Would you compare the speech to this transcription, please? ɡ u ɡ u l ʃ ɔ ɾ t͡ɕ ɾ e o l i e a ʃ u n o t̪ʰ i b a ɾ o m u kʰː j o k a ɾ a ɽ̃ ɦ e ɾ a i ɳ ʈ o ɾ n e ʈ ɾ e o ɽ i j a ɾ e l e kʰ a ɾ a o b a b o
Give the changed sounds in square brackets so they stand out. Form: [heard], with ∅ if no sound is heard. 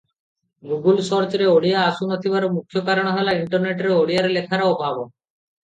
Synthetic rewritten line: ɡ u ɡ u l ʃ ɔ ɾ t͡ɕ ɾ e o [ɽ] i [a] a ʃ u n o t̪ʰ i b a ɾ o m u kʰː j o k a ɾ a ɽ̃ ɦ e [l] a i ɳ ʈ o ɾ n e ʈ ɾ e o ɽ i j a ɾ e l e kʰ a ɾ a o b a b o